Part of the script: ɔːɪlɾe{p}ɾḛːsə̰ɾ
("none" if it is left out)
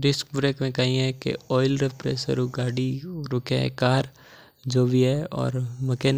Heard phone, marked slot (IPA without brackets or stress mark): p